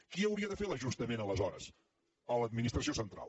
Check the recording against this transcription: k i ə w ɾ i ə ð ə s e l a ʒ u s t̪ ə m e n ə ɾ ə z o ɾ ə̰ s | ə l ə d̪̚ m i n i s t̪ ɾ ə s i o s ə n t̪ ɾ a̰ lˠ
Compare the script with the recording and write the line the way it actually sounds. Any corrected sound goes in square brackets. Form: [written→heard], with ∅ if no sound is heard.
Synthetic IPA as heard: k i ə w ɾ i ə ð ə [s→f] e l [a→ə] ʒ u s t̪ ə m e n ə [ɾ→l] ə z [o→ɔ] ɾ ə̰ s | ə l ə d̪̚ m i n i s t̪ ɾ ə s i o s ə n t̪ ɾ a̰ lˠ

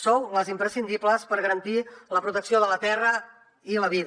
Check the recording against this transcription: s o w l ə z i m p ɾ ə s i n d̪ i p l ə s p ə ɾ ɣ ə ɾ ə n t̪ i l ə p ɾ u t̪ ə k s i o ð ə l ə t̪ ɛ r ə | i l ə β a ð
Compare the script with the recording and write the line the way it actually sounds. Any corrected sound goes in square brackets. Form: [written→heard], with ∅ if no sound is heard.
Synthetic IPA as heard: s o w l ə z i m p ɾ ə s i n d̪ i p l ə s p ə ɾ ɣ ə ɾ ə n t̪ i l ə p ɾ u t̪ ə k s i o ð ə l ə t̪ ɛ r ə | i l ə β [a→i] ð

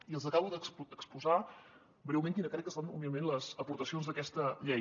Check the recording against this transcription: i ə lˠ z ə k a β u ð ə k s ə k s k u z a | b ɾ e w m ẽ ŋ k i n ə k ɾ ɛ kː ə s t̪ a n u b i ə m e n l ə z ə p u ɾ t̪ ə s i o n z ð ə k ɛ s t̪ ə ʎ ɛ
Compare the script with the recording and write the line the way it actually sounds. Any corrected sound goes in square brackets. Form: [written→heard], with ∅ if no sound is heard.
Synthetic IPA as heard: i ə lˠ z ə k a β u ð ə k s ə k s [k→p] u z a | b ɾ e w m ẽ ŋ k i n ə k ɾ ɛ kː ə s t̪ a n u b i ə m e n l ə z ə p u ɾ t̪ ə s i o n z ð ə k ɛ s t̪ ə ʎ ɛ

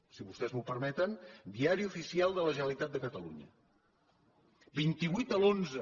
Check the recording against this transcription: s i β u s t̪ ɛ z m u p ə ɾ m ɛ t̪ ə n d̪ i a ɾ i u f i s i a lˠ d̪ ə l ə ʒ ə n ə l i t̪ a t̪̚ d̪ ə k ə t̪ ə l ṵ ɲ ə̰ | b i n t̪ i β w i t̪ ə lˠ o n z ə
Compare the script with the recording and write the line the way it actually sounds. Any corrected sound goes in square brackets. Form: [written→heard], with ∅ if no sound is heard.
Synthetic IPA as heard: s i β u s t̪ ɛ z m u p ə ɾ m ɛ t̪ ə n d̪ i a ɾ i u f i s i a lˠ d̪ ə l ə ʒ ə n ə l i t̪ a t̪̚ d̪ ə k ə t̪ ə l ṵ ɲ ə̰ | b i n t̪ i β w i t̪ ə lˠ o n z ə

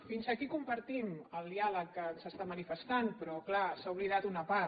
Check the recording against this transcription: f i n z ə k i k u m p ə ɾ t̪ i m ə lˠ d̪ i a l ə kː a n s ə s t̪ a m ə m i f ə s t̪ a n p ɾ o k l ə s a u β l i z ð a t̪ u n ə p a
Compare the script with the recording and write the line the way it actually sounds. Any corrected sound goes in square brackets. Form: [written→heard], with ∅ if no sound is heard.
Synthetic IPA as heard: f i n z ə k i k u m p ə ɾ t̪ i m ə lˠ d̪ i a l ə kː [a→ə] n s ə s t̪ a m ə [m→n] i f ə s t̪ a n p ɾ [o→ɔ] k l [ə→a] s a u β l i [z→∅] ð a t̪ u n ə p a

